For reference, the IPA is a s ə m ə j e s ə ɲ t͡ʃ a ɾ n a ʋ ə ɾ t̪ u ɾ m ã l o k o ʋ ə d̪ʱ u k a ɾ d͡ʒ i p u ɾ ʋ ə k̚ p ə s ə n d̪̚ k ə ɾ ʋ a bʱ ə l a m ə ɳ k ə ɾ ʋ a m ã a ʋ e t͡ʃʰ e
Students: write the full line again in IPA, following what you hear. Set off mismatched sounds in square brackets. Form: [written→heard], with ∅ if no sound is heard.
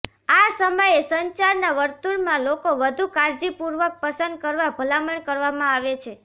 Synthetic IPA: a s ə m ə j e s ə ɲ t͡ʃ a ɾ n a ʋ ə ɾ t̪ u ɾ m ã l o k o ʋ ə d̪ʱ u k a ɾ d͡ʒ i p u ɾ ʋ ə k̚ p ə s ə n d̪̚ k ə ɾ ʋ a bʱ ə l a m ə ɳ k ə ɾ ʋ a m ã a ʋ e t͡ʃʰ e